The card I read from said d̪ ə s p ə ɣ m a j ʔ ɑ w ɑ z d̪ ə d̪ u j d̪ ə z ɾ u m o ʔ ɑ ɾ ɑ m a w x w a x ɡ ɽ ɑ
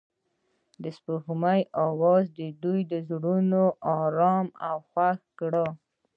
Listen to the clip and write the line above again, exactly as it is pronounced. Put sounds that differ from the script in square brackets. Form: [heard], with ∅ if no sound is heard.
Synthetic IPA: d̪ ə s p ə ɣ m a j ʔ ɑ w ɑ z d̪ ə d̪ u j d̪ ə z [ɽ] u [n] o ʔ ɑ ɾ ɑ m a w x w a x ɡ ɽ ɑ